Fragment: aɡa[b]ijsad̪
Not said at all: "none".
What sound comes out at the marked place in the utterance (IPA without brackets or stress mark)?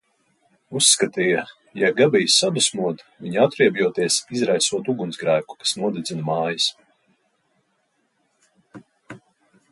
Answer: b